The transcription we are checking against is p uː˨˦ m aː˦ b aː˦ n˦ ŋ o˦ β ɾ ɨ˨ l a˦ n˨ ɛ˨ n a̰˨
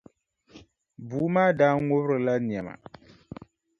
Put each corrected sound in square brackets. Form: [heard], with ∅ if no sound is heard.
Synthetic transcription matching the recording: [b] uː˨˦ m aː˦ [d] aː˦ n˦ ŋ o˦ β ɾ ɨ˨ l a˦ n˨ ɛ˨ [m] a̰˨